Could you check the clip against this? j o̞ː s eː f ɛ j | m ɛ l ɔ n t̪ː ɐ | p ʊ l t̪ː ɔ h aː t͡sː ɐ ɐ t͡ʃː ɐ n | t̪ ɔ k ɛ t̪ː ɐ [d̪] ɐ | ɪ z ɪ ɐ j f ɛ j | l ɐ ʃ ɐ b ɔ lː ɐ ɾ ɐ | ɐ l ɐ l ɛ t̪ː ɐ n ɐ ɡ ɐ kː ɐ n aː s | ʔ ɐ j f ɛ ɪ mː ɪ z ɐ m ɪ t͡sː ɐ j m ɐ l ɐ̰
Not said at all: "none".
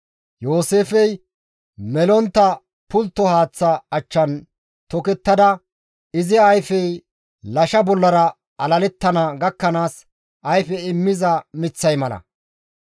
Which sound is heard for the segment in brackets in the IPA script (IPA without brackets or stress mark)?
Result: d̪